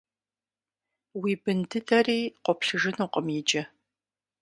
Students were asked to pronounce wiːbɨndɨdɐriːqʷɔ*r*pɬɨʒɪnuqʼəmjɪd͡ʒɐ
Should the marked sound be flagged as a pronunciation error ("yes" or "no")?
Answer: yes